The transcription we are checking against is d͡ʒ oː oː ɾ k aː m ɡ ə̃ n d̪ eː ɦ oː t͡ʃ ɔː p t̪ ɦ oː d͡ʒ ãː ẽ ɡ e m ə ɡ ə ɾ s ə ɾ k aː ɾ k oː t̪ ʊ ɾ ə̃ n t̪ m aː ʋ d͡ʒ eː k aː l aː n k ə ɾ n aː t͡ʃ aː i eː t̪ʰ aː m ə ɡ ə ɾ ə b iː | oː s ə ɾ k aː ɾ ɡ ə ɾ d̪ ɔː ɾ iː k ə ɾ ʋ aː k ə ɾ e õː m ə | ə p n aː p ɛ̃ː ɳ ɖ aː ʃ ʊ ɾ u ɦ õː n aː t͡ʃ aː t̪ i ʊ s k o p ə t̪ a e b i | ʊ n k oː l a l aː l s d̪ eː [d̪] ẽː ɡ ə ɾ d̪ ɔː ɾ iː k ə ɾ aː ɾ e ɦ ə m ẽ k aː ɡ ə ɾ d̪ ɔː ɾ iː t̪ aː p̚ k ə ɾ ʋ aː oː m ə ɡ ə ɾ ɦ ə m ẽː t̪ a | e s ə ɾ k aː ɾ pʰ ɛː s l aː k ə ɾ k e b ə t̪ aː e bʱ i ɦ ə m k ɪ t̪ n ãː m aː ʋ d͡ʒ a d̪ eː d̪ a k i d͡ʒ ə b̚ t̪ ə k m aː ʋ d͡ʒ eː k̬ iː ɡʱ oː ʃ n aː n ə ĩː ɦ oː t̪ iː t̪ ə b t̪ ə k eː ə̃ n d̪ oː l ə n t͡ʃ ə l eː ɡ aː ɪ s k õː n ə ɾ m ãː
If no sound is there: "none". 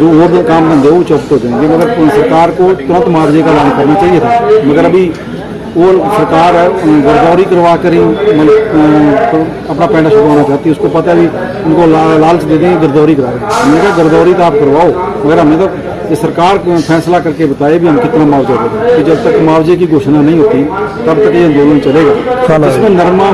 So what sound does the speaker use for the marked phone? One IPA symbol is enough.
d̪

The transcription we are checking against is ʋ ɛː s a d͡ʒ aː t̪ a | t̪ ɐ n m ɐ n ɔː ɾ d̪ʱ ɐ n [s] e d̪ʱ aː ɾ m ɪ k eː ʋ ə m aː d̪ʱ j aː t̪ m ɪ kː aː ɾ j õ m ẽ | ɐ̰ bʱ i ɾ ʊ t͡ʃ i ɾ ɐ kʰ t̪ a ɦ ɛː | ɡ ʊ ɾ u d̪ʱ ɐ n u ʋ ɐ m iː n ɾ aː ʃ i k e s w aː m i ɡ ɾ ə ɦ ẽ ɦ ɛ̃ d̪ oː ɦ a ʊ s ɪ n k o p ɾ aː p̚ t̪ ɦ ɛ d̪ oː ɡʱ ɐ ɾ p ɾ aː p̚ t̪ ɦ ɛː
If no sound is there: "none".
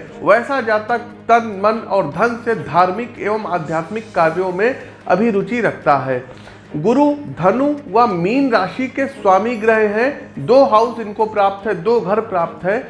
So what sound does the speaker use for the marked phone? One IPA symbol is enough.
s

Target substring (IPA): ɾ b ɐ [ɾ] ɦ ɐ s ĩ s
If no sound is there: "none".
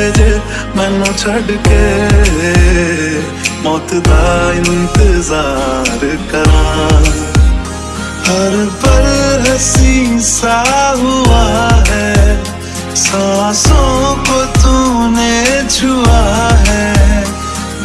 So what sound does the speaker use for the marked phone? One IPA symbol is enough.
ɾ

